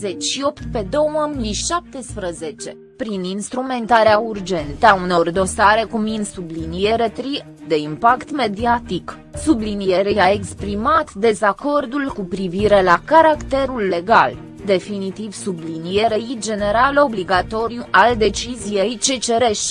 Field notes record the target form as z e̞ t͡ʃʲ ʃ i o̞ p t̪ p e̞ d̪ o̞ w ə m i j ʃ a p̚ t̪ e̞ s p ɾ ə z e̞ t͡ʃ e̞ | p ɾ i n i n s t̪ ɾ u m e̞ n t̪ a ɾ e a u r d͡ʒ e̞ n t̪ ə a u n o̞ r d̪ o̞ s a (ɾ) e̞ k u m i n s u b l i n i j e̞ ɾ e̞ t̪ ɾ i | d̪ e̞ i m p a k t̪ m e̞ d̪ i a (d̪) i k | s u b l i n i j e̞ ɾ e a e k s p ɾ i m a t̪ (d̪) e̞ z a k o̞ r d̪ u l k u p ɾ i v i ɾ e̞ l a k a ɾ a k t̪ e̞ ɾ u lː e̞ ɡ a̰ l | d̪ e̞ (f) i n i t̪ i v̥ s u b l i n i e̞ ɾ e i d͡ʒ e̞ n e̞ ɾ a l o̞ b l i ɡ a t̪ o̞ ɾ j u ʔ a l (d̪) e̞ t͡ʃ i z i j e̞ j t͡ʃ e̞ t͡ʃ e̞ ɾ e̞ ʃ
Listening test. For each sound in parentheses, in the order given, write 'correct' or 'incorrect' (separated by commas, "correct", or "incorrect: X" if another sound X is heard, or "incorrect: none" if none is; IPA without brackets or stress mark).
correct, incorrect: t̪, correct, correct, correct